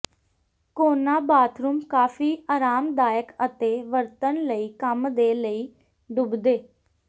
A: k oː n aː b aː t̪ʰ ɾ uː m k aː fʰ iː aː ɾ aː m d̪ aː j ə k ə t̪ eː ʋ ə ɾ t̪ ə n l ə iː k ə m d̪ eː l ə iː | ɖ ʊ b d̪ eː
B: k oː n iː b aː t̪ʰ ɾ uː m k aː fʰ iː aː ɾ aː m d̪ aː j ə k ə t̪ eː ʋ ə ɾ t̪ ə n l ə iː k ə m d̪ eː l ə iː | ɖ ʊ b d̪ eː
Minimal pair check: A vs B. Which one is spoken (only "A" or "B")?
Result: A